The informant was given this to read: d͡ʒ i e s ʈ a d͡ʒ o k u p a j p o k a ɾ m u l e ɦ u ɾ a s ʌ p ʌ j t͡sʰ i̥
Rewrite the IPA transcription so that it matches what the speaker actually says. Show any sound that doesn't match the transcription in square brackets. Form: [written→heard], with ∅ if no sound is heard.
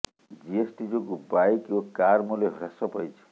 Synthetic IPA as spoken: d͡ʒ i e s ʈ [a→i] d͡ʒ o k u [p→b] a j [p→k] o k a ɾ m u l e ɦ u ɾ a s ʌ p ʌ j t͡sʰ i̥